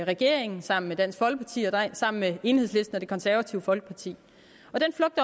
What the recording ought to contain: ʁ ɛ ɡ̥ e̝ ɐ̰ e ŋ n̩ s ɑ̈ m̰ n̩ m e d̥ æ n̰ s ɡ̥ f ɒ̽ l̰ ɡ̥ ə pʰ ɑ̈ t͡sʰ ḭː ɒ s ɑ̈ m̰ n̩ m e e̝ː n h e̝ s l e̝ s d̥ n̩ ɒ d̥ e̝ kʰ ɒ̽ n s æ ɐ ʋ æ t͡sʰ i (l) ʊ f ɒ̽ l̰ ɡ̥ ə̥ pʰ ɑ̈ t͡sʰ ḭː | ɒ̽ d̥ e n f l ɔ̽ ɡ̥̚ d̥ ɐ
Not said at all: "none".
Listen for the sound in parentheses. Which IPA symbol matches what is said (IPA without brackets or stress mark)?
none